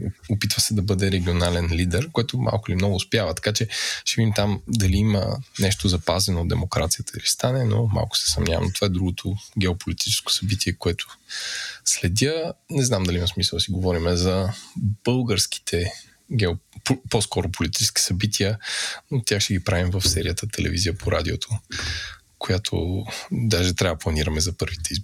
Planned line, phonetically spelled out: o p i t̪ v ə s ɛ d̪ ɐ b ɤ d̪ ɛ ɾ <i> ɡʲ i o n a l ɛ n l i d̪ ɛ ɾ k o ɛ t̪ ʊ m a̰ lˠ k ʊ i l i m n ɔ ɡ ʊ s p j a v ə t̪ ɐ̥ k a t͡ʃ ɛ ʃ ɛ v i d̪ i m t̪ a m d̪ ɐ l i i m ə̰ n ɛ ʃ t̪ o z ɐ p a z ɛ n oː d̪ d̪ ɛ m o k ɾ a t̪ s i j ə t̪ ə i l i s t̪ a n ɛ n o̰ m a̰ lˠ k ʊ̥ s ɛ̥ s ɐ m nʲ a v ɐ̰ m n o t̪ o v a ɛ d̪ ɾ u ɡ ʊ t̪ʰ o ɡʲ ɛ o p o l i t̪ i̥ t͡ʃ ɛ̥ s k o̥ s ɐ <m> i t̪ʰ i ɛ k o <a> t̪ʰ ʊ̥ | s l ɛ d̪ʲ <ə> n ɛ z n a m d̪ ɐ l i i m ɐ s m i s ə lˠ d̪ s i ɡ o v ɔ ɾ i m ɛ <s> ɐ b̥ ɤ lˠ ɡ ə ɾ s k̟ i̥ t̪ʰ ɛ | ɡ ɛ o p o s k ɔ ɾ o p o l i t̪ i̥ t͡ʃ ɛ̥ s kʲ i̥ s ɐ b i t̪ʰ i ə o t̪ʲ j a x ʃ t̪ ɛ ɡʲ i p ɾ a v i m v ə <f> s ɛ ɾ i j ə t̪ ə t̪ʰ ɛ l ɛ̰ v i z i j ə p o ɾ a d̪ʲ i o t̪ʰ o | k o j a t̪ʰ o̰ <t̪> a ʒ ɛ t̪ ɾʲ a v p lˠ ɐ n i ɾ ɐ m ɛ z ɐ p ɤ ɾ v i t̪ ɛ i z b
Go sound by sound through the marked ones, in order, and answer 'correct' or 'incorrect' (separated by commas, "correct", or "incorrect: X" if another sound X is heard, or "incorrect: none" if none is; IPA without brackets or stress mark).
incorrect: ɛ, incorrect: b, incorrect: ɛ, correct, incorrect: z, correct, incorrect: d̪